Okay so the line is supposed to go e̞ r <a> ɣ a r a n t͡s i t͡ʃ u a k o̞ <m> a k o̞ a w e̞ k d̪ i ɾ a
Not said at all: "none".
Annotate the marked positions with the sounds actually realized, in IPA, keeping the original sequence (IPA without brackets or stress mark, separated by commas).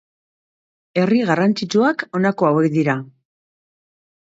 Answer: i, n